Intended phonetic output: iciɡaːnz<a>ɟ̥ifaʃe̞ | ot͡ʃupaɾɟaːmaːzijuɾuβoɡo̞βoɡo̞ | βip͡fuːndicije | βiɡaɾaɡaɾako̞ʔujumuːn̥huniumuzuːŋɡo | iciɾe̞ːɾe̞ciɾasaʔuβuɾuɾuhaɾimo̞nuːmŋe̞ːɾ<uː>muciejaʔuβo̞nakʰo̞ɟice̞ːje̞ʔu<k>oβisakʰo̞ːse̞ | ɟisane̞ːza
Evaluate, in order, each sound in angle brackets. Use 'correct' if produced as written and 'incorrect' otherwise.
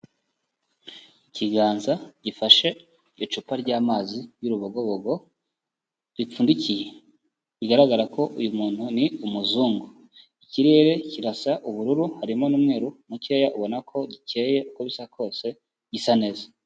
correct, incorrect: u, correct

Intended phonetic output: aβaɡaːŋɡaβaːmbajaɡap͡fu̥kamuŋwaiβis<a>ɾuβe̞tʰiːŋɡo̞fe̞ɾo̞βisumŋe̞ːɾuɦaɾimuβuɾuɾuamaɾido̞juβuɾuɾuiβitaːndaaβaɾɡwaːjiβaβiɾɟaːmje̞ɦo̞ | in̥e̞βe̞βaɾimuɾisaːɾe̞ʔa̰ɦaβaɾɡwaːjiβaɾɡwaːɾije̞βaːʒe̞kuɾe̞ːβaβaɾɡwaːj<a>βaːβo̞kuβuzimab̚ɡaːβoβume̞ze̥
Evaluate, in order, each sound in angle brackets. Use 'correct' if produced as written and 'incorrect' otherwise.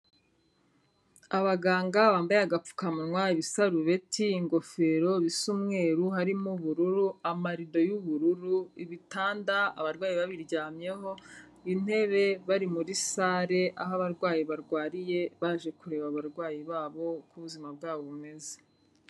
correct, incorrect: i

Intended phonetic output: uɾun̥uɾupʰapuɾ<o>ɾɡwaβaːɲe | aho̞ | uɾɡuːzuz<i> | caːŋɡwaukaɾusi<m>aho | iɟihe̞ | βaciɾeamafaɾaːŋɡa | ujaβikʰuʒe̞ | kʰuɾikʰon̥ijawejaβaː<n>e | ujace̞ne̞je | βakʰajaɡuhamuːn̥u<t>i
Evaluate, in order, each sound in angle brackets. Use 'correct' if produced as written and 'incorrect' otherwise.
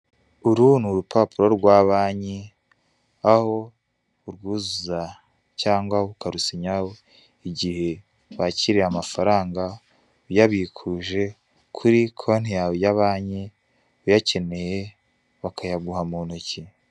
correct, incorrect: a, incorrect: ɲ, incorrect: ɲ, incorrect: c

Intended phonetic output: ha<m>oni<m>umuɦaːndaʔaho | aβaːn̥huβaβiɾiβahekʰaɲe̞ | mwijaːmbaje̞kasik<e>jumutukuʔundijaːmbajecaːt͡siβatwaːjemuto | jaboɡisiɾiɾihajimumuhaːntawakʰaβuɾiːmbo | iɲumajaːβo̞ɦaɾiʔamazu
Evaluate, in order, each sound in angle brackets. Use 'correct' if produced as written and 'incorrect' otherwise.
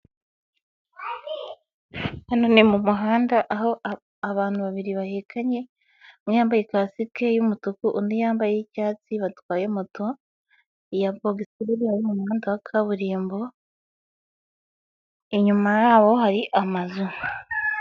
incorrect: n, correct, correct

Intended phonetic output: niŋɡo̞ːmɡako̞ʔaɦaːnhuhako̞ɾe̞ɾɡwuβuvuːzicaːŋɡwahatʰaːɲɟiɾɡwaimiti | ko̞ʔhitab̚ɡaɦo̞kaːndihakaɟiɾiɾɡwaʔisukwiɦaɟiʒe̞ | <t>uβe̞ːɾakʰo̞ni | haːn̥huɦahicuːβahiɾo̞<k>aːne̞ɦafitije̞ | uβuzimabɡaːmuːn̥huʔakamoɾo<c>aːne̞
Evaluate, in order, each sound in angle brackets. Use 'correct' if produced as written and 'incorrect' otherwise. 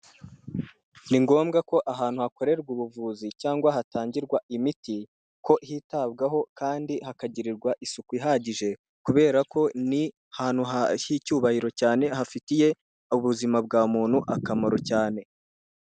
incorrect: k, incorrect: c, correct

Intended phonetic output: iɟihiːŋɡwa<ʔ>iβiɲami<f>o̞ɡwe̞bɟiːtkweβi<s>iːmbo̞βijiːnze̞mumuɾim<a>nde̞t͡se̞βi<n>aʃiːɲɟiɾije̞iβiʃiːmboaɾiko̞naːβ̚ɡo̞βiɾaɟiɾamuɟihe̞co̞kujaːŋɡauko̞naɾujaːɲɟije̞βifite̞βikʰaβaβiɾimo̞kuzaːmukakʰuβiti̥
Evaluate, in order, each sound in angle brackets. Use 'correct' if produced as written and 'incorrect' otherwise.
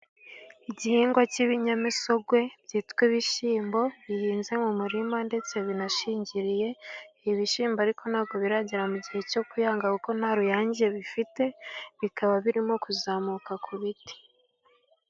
incorrect: c, incorrect: s, incorrect: ʃ, correct, correct

